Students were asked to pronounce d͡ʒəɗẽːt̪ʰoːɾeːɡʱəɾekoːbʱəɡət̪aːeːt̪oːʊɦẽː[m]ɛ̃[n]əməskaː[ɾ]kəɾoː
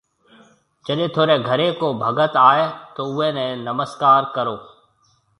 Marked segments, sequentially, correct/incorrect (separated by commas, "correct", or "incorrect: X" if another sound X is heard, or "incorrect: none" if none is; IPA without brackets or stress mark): incorrect: n, correct, correct